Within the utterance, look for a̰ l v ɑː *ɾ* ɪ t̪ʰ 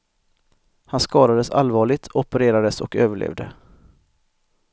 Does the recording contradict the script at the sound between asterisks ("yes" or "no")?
yes